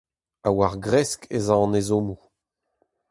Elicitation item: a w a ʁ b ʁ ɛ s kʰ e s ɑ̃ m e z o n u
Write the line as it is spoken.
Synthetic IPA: a w a ʁ ɡ ʁ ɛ s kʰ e z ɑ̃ n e z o m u